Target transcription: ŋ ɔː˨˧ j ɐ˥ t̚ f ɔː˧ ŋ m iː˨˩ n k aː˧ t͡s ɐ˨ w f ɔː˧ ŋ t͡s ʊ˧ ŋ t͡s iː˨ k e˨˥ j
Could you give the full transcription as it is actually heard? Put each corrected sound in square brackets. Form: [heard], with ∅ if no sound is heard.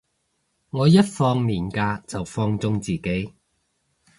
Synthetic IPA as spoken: ŋ ɔː˨˧ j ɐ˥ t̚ f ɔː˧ ŋ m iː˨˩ n k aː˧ t͡s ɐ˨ w f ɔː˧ ŋ t͡s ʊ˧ ŋ t͡s iː˨ k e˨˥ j